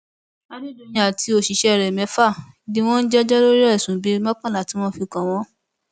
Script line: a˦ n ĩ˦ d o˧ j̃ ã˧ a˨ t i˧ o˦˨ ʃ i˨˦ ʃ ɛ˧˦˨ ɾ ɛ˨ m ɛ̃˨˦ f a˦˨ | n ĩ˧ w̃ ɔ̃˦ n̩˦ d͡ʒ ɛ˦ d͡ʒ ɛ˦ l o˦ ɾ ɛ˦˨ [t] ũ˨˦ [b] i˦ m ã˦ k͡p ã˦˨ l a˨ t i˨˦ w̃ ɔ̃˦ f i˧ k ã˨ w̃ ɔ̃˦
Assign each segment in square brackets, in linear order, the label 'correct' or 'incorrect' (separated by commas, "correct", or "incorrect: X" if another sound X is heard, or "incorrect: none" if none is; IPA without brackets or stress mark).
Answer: incorrect: s, correct